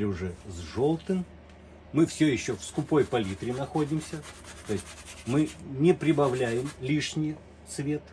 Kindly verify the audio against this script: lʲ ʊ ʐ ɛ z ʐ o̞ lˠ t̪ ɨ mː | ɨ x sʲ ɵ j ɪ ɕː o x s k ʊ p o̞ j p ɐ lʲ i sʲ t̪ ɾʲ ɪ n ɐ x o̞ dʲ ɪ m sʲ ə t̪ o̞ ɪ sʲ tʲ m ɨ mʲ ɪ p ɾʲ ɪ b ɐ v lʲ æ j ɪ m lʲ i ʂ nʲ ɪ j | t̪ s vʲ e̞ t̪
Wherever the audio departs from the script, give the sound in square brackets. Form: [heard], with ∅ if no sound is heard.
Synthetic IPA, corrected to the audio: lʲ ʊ ʐ ɛ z ʐ o̞ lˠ t̪ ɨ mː | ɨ [f] sʲ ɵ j ɪ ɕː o [f] s k ʊ p o̞ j p ɐ lʲ i [∅] t̪ ɾʲ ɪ n ɐ x o̞ dʲ ɪ m sʲ ə t̪ o̞ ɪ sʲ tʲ m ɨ [nʲ] ɪ p ɾʲ ɪ b ɐ v lʲ æ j ɪ m lʲ i ʂ nʲ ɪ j | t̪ s vʲ e̞ t̪